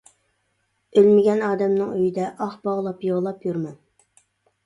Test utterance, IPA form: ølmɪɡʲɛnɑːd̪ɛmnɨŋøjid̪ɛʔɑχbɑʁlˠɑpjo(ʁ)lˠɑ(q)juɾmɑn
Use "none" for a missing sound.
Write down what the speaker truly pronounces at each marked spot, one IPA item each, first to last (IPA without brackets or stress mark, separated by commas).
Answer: ʁ, p